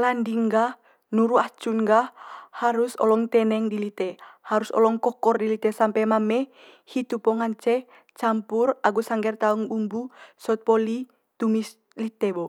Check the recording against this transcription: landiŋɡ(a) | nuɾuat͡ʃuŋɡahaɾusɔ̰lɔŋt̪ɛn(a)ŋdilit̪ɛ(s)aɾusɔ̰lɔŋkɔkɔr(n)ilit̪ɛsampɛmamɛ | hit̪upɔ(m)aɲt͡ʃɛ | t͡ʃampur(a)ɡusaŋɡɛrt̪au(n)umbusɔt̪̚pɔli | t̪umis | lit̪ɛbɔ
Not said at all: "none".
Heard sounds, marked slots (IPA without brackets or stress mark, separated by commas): a, ɛ, h, d, ŋ, a, ŋ